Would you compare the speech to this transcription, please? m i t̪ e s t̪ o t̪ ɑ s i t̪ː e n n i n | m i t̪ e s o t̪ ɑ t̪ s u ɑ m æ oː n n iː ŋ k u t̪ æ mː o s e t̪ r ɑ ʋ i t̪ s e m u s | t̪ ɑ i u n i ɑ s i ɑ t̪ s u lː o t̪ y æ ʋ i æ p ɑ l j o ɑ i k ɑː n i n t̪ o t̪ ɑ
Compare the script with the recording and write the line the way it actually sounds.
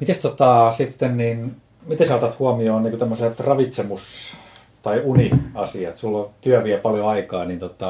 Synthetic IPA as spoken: m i t̪ e s t̪ o t̪ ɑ s i t̪ː e n n i n | m i t̪ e s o t̪ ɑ t̪ h u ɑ m i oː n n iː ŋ k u t̪ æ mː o s e t̪ r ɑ ʋ i t̪ s e m u s | t̪ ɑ i u n i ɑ s i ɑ t̪ s u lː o t̪ y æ ʋ i æ p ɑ l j o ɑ i k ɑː n i n t̪ o t̪ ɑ